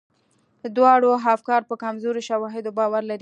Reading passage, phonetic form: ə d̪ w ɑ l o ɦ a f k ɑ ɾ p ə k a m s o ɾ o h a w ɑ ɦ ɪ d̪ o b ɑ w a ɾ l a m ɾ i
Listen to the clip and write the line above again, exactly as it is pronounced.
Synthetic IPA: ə d̪ w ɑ ɽ o ɦ a f k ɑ ɾ p ə k a m z o ɾ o ʃ a w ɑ ɦ ɪ d̪ o b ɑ w a ɾ l a ɾ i